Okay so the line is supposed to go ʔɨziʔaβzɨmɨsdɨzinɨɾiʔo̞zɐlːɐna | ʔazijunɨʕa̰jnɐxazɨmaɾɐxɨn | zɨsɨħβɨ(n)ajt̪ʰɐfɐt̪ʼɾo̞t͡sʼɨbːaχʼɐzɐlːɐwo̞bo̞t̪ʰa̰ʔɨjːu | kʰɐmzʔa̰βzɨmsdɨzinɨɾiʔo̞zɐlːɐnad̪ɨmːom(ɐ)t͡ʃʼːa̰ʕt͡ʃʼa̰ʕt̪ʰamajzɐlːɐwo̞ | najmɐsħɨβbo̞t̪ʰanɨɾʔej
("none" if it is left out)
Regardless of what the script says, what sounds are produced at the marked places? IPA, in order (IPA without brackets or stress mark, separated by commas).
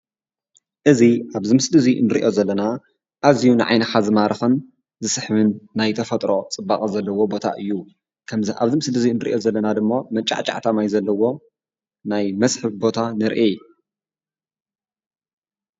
nː, ɐ